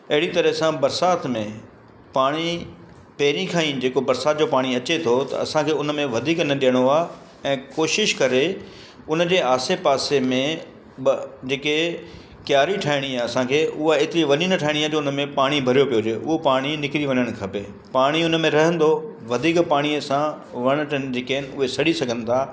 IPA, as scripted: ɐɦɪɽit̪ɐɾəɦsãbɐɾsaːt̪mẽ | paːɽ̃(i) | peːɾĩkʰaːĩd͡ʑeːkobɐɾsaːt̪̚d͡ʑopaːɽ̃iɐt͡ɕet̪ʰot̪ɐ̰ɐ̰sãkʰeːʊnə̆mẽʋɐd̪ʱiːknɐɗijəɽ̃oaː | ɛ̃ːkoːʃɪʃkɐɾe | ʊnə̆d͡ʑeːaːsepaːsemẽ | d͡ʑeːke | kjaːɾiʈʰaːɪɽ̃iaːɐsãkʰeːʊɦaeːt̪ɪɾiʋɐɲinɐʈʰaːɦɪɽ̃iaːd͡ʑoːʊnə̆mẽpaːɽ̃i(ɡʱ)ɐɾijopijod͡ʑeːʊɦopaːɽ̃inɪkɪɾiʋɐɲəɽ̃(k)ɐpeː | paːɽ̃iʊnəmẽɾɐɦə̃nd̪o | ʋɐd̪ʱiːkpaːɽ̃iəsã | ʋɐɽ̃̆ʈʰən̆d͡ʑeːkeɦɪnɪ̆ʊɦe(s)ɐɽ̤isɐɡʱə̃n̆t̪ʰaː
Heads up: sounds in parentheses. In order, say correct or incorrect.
correct, incorrect: bʱ, incorrect: kʰ, correct

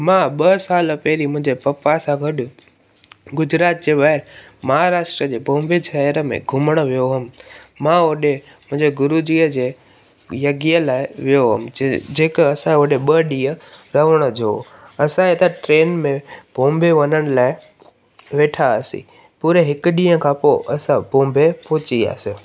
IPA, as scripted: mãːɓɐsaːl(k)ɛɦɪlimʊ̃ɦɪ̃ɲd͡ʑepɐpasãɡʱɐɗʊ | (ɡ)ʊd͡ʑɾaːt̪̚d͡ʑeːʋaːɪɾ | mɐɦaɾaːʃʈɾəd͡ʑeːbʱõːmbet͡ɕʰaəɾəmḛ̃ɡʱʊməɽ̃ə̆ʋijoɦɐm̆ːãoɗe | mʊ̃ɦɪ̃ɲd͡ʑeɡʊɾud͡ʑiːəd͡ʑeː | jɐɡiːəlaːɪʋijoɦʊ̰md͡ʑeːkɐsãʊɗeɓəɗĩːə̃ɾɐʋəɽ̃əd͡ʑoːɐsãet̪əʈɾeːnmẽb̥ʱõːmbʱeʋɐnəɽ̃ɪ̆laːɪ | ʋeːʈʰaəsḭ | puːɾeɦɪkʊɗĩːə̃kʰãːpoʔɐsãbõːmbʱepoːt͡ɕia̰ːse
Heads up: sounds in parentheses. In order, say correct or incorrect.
incorrect: p, correct

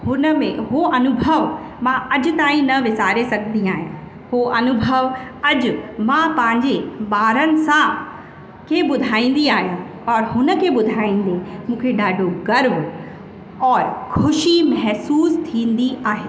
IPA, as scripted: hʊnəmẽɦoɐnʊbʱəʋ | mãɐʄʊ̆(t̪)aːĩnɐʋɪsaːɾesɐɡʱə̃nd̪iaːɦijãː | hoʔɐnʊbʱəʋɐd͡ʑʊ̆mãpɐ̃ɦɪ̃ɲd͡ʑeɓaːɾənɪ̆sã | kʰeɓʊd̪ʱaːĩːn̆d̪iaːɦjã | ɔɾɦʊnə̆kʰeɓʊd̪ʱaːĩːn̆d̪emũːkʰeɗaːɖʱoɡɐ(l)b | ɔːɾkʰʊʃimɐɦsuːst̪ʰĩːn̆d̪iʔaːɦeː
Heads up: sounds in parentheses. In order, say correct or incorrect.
correct, incorrect: ɾ

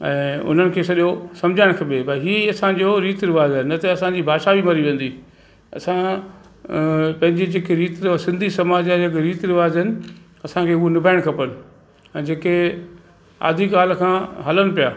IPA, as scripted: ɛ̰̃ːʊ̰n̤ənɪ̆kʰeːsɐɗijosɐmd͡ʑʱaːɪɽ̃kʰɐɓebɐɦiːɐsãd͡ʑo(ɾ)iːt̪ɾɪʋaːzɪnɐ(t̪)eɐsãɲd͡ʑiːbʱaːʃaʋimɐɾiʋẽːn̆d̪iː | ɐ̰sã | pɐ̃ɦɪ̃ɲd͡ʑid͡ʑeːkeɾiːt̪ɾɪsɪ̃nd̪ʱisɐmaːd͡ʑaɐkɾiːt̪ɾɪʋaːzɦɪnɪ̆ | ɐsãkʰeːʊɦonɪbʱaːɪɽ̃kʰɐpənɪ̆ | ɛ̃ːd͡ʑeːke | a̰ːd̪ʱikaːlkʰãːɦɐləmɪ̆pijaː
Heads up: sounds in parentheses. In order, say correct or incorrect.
correct, correct

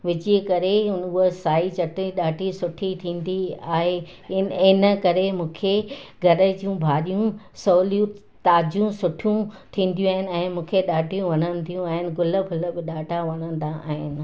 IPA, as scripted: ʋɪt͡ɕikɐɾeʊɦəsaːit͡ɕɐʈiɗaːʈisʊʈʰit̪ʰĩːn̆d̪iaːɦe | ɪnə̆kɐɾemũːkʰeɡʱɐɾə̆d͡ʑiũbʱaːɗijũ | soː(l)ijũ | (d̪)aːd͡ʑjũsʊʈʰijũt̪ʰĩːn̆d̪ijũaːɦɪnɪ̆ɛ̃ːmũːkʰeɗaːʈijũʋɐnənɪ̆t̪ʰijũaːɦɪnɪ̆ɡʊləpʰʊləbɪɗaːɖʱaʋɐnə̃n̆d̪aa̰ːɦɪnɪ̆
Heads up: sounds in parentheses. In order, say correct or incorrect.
correct, incorrect: t̪

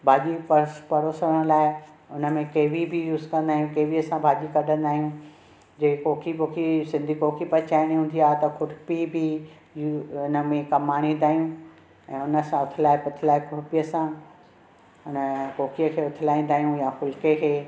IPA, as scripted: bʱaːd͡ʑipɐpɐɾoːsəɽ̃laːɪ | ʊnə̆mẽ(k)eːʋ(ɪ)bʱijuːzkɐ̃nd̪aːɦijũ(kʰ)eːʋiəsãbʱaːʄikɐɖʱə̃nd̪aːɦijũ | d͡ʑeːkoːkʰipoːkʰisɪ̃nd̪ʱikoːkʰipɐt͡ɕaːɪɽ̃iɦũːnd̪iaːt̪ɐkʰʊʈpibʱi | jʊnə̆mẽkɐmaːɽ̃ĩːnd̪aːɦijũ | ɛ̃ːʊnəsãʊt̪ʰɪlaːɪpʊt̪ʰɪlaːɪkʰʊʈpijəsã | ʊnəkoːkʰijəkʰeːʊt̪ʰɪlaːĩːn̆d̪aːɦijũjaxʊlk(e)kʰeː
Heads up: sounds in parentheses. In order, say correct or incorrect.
correct, incorrect: i, incorrect: k, correct

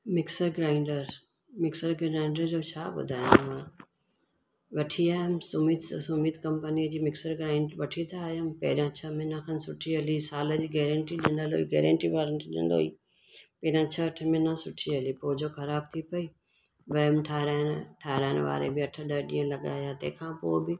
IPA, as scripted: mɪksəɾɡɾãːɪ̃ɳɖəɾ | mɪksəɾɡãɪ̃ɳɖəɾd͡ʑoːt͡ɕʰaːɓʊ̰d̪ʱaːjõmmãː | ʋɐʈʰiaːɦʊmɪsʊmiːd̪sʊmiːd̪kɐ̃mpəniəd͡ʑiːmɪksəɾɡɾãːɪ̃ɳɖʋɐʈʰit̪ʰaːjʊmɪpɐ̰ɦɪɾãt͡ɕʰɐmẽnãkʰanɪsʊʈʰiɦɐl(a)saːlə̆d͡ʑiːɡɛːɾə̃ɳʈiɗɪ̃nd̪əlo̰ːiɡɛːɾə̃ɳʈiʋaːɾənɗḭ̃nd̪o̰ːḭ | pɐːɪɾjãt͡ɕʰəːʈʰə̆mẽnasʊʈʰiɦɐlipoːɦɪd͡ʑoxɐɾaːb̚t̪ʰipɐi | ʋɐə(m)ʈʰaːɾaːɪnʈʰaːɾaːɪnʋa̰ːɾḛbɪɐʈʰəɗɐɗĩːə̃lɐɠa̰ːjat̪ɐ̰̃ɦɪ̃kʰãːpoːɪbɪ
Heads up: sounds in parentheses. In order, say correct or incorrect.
incorrect: i, correct

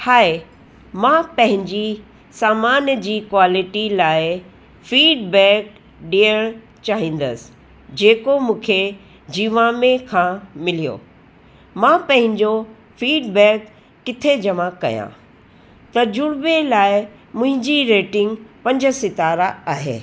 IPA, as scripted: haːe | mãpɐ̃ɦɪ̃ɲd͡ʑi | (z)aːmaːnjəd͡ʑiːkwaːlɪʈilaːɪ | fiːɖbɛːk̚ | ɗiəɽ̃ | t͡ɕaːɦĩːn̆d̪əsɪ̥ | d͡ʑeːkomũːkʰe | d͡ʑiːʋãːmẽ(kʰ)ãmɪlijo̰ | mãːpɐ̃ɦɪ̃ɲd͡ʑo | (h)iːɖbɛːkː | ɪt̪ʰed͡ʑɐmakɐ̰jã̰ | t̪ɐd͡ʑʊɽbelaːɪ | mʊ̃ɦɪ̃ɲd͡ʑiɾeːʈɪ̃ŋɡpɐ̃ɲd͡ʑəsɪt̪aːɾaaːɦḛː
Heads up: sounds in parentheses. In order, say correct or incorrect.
incorrect: s, correct, incorrect: f

